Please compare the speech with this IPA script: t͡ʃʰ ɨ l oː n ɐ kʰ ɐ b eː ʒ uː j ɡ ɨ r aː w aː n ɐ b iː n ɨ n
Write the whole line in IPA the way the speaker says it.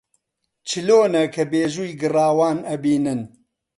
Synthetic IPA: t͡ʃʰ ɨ l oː n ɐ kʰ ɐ b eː ʒ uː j ɡ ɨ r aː w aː n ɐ b iː n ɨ n

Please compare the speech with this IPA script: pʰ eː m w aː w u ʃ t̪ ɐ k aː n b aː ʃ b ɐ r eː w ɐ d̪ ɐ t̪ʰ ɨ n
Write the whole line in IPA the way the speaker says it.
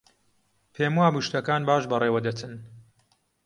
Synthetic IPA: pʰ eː m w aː b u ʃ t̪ ɐ k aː n b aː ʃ b ɐ r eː w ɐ d̪ ɐ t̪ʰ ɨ n

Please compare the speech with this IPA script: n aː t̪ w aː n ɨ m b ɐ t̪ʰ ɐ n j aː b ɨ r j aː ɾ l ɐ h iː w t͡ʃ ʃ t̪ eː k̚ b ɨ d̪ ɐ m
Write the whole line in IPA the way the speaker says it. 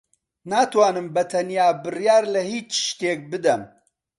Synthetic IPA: n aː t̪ w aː n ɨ m b ɐ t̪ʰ ɐ n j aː b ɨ r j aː ɾ l ɐ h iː t͡ʃ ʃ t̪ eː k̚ b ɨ d̪ ɐ m

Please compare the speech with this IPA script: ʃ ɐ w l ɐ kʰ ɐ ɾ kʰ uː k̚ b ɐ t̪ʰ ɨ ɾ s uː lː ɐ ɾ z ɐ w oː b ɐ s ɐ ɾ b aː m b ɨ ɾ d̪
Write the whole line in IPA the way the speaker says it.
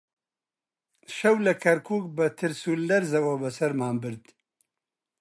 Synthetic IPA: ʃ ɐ w l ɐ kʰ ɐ ɾ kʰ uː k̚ b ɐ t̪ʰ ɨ ɾ s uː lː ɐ ɾ z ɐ w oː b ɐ s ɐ ɾ m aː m b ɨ ɾ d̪

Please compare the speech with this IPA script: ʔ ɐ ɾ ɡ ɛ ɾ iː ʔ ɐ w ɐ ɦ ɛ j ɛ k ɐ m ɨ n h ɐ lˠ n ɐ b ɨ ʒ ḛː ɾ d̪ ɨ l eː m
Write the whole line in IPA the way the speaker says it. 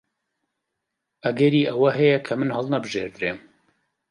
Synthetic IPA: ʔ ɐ ɡ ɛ ɾ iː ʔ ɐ w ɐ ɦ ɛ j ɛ kʰ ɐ m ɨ n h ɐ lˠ n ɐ b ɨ ʒ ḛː ɾ d̪ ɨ ɾ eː m

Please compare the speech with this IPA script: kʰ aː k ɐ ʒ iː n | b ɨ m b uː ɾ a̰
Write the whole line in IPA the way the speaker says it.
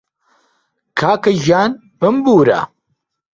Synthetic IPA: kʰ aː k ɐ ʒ aː n | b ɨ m b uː ɾ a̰

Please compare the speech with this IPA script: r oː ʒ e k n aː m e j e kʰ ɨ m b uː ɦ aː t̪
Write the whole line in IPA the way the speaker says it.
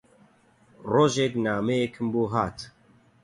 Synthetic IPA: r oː ʒ e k n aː m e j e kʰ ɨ m b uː ɦ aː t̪

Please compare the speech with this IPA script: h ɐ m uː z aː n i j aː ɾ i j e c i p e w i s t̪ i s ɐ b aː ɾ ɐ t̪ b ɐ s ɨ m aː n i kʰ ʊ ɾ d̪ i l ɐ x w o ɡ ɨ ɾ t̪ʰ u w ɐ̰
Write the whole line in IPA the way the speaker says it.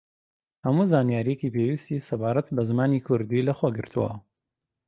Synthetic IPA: h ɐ m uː z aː n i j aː ɾ i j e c i p e w i s t̪ i s ɐ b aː ɾ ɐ t̪ b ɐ z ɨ m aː n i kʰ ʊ ɾ d̪ i l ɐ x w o ɡ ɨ ɾ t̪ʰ u w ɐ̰

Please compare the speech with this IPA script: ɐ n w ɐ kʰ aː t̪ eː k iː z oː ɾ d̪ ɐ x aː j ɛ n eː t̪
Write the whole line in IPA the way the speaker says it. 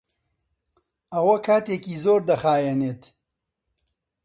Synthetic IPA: ɐ w ɐ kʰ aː t̪ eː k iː z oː ɾ d̪ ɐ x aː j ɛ n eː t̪

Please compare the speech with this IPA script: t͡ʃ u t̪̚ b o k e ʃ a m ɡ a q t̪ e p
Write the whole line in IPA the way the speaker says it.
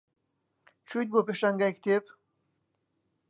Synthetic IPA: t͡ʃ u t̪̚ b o p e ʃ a ŋ ɡ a k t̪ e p

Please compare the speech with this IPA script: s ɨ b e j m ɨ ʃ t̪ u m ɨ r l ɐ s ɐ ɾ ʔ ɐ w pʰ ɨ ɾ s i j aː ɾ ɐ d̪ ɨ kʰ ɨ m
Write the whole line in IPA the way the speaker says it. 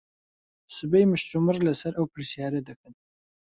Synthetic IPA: s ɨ b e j m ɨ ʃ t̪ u m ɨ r l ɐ s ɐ ɾ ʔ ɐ w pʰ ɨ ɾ s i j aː ɾ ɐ d̪ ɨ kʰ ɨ n

